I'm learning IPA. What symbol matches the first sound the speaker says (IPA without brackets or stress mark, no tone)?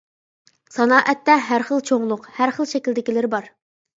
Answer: s